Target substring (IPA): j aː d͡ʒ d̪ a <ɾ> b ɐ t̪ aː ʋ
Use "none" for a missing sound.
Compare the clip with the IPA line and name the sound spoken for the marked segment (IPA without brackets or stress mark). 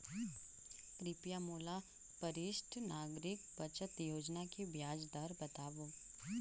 ɾ